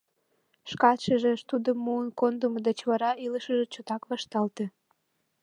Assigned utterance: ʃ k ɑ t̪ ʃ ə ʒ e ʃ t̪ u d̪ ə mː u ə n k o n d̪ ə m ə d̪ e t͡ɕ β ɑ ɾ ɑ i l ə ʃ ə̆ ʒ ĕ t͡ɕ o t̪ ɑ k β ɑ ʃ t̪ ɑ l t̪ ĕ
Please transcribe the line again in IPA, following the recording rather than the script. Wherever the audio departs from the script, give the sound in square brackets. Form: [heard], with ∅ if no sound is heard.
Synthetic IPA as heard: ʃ k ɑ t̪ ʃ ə ʒ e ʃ t̪ u d̪ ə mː u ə n k o n d̪ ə m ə d̪ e t͡ɕ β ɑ ɾ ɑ i l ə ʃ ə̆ ʒ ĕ t͡ɕ o t̪ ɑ k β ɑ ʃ t̪ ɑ l t̪ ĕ